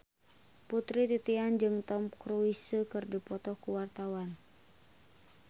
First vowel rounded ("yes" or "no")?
yes